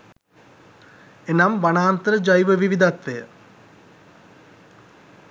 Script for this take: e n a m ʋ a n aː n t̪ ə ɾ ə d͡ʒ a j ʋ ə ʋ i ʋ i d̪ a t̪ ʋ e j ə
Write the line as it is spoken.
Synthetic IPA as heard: e n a m ʋ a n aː n t̪ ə ɾ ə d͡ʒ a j ʋ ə ʋ i ʋ i d̪ a t̪ ʋ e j ə